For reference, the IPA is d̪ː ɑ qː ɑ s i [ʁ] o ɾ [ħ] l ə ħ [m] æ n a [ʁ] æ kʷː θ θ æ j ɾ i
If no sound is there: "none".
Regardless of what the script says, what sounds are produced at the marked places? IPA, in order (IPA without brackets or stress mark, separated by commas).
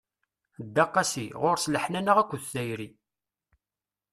ʁ, s, n, ʁ